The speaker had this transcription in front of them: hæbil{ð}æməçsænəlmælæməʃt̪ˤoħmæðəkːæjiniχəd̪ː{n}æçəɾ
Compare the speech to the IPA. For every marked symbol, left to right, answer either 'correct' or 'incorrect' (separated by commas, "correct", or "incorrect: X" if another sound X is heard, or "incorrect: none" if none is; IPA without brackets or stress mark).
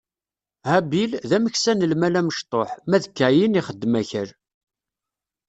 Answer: correct, incorrect: m